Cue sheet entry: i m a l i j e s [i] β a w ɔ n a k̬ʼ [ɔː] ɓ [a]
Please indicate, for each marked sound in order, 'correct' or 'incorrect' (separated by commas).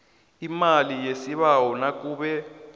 correct, incorrect, incorrect